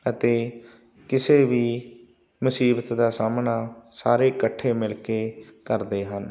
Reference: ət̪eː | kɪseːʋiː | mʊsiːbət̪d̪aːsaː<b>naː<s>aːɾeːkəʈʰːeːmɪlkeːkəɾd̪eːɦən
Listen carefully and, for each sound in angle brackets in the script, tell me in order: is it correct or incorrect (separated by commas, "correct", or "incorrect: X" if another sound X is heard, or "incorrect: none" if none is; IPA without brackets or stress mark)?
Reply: incorrect: m, correct